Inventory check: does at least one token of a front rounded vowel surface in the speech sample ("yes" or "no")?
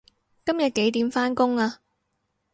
no